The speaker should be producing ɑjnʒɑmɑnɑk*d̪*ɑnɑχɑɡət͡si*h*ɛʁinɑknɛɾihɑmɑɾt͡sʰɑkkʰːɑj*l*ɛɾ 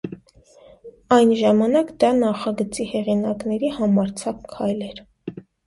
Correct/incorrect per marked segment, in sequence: correct, correct, correct

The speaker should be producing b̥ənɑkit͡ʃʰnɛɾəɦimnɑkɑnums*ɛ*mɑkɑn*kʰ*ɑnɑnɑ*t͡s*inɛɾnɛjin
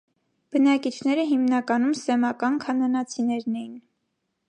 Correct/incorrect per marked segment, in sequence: correct, correct, incorrect

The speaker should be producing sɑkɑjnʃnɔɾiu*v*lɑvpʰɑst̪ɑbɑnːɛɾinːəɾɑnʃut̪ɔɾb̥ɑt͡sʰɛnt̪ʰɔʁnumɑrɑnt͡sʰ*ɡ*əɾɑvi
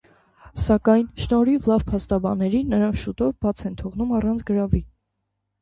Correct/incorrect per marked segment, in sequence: correct, correct

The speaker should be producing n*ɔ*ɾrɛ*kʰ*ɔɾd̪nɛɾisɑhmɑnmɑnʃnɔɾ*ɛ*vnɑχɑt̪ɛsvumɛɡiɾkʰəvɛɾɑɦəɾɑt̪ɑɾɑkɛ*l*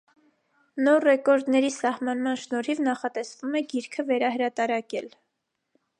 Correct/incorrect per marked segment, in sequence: correct, incorrect, incorrect, correct

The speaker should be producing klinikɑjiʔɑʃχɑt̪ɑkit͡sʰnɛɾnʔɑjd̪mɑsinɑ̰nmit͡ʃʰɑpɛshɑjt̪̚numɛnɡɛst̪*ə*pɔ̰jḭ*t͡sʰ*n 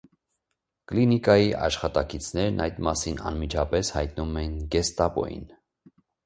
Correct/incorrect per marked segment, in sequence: incorrect, incorrect

